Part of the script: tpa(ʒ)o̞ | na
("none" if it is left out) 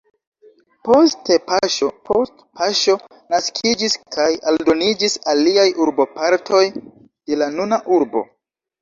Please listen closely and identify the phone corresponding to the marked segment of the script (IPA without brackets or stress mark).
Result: ʃ